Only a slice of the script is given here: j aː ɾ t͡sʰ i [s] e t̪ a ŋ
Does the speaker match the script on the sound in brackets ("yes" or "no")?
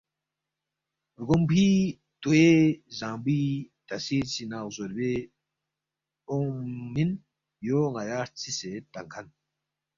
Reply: yes